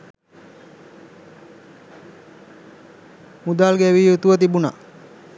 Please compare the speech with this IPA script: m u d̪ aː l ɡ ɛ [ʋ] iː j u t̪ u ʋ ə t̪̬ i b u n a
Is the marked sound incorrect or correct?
correct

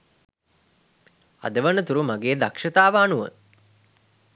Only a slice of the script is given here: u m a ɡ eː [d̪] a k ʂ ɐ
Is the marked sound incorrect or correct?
correct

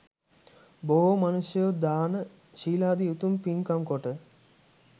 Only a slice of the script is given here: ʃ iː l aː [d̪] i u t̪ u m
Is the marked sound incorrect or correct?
correct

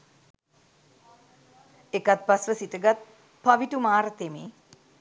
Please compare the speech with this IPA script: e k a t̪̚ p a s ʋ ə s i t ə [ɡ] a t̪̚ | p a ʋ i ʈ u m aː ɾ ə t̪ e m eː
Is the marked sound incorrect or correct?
correct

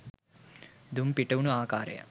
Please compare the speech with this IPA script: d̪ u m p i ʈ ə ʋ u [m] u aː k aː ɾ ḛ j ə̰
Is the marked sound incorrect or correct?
incorrect: n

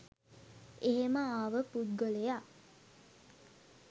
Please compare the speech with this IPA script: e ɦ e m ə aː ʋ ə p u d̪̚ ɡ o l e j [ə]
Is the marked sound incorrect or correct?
incorrect: a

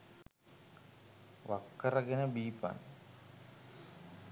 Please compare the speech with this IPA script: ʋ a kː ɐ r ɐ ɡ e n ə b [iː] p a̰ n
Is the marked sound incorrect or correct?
correct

